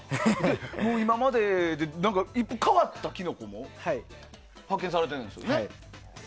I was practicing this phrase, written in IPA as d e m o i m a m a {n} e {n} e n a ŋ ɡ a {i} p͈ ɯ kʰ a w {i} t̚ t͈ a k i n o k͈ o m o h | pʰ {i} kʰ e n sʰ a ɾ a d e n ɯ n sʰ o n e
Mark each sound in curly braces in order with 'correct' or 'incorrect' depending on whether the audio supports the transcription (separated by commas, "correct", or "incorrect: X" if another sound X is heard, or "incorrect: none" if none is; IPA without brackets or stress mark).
incorrect: d, incorrect: d, correct, incorrect: a, incorrect: a